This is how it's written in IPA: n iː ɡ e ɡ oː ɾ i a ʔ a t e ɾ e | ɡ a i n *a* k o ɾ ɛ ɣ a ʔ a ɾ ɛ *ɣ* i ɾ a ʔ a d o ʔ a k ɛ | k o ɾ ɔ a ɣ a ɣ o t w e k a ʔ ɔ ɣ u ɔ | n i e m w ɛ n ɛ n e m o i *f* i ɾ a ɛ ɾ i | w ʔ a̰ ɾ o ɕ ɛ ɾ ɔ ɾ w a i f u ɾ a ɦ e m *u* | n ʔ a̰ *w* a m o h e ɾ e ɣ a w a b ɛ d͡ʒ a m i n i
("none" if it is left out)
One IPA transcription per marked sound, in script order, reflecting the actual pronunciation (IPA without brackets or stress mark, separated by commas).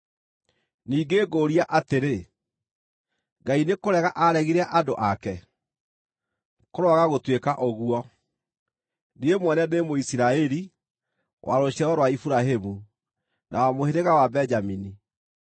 e, ɣ, s, u, w